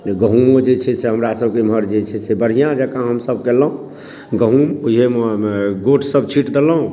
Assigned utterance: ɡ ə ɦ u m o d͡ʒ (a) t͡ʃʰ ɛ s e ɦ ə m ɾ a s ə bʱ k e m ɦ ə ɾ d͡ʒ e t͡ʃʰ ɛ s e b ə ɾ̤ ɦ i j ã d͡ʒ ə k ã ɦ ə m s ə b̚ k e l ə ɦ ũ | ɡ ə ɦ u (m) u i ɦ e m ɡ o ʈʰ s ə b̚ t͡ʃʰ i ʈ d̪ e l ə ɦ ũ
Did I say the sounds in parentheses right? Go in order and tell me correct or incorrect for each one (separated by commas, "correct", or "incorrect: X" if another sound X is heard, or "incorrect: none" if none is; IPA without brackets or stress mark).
incorrect: e, correct